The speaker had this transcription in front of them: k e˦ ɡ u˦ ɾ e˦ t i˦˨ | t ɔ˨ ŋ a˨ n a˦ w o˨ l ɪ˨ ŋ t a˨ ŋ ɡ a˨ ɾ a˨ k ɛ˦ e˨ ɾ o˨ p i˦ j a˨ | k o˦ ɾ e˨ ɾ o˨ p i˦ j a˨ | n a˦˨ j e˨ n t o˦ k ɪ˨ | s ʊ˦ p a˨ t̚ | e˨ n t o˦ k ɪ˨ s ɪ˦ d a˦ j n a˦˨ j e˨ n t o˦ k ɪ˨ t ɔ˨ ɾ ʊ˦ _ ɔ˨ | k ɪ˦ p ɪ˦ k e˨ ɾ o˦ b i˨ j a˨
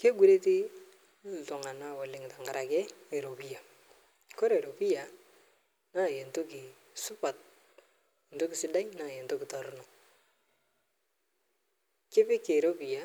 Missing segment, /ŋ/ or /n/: n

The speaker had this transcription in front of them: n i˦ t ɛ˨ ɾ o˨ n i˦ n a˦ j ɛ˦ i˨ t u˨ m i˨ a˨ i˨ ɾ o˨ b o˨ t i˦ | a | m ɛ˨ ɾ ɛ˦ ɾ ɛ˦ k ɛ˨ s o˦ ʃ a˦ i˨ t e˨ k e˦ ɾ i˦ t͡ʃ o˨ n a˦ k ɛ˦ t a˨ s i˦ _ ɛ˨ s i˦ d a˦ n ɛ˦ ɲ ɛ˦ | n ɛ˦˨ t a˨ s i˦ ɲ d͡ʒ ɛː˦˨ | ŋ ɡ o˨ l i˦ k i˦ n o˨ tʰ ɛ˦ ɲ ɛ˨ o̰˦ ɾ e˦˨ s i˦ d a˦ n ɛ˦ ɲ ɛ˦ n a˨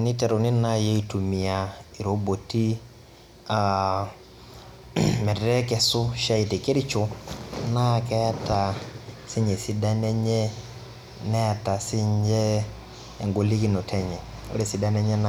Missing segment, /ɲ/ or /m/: ɲ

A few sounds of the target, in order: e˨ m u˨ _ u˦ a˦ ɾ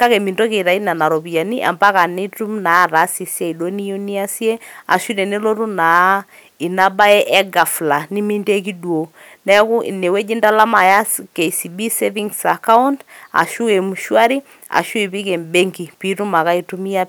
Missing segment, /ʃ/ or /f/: ʃ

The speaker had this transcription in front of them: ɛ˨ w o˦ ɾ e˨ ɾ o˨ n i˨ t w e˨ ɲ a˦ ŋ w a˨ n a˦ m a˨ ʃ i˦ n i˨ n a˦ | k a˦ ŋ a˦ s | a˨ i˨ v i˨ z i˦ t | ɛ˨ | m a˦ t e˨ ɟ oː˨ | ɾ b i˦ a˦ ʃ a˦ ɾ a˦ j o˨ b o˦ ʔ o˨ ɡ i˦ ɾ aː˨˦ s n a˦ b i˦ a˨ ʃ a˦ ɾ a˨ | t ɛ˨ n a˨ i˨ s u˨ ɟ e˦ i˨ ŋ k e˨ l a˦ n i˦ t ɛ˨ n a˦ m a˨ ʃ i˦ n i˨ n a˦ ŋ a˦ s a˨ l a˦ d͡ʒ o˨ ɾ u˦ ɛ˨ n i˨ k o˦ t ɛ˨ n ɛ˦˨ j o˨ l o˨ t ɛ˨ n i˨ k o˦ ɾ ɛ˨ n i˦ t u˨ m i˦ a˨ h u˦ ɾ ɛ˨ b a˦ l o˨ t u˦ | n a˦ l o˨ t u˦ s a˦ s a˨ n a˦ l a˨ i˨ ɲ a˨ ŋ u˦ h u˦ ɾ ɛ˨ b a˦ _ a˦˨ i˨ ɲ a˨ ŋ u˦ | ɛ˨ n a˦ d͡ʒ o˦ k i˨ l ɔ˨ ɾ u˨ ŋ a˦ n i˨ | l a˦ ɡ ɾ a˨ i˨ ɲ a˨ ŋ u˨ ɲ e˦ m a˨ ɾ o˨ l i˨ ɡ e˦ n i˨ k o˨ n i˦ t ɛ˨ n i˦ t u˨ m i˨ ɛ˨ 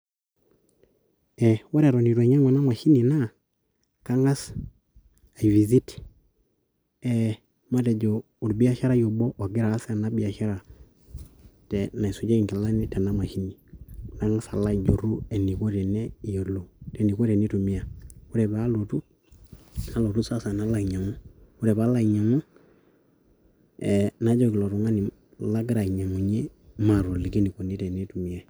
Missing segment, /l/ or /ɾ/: l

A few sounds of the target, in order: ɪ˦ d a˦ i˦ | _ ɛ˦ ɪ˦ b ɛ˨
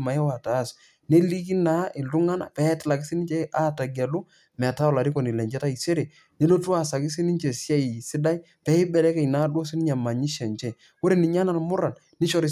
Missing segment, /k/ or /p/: p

